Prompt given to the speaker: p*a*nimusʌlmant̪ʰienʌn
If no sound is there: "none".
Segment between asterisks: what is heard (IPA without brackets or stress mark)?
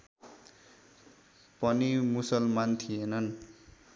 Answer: ʌ